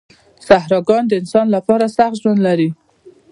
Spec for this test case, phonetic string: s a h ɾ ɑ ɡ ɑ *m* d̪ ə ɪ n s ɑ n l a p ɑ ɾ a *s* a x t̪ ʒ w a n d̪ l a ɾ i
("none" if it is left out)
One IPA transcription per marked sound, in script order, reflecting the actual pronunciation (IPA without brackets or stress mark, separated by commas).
n, s